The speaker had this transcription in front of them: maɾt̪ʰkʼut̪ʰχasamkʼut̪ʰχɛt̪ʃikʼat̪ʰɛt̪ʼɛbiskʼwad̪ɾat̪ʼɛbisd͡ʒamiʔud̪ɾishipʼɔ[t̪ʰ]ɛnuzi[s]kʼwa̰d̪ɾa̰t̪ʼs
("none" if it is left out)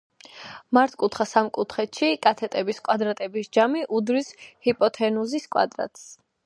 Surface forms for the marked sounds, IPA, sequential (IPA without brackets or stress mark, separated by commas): t̪ʰ, s